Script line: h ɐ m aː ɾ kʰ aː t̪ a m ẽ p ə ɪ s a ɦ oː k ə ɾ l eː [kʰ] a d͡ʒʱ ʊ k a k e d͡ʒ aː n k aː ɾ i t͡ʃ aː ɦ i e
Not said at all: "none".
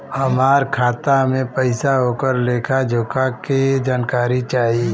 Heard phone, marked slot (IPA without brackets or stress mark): kʰ